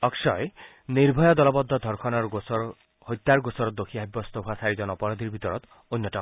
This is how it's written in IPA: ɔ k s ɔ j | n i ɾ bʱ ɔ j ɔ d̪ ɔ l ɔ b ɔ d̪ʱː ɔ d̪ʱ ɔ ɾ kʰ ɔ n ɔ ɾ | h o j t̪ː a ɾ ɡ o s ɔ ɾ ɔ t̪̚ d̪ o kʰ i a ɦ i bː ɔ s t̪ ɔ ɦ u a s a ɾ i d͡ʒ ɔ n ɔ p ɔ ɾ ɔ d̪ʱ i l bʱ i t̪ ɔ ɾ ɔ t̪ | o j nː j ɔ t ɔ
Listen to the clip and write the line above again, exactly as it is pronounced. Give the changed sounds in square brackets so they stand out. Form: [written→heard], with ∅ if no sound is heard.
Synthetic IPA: ɔ k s ɔ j | n i ɾ bʱ ɔ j ɔ d̪ ɔ l ɔ b ɔ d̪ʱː ɔ d̪ʱ ɔ ɾ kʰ ɔ n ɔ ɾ | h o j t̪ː a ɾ ɡ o s ɔ ɾ ɔ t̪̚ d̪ o kʰ i a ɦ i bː ɔ s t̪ ɔ ɦ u a s a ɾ i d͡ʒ ɔ n ɔ p ɔ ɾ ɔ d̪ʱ i [l→ɾ] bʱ i t̪ ɔ ɾ ɔ t̪ | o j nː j ɔ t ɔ